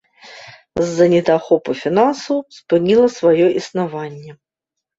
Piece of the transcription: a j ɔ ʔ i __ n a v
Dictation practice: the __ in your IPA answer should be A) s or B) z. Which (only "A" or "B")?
A